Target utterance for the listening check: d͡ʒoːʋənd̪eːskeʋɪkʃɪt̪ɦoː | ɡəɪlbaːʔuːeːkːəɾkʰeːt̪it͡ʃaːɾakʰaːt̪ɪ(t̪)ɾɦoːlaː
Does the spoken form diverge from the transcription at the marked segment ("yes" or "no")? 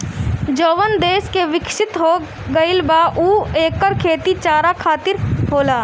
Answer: yes